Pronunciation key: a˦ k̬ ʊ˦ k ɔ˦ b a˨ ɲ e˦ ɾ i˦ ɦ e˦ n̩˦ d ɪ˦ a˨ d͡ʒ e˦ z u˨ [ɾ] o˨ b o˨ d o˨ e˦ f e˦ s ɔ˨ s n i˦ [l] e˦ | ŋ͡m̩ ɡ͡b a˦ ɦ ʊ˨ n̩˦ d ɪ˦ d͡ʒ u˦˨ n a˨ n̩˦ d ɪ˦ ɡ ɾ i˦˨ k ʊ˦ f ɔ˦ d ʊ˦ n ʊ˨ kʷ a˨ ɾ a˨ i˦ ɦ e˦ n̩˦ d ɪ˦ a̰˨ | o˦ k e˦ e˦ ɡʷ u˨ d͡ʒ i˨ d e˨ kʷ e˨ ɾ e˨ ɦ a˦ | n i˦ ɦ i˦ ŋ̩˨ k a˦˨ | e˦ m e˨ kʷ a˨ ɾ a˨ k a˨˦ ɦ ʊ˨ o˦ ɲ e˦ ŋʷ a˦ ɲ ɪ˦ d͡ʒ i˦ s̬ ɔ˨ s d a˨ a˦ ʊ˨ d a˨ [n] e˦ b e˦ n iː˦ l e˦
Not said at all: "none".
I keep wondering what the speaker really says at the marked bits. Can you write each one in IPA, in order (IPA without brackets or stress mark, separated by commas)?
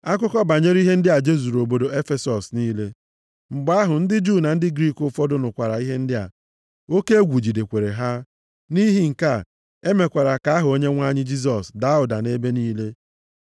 ɾ, l, n